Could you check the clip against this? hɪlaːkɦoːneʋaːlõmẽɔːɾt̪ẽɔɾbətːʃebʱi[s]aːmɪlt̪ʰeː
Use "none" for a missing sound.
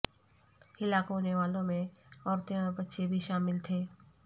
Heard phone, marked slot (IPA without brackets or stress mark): ʃ